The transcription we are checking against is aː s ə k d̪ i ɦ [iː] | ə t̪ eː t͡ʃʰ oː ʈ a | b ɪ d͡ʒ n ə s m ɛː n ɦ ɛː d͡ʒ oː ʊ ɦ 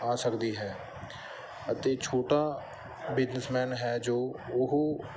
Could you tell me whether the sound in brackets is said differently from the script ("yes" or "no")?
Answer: yes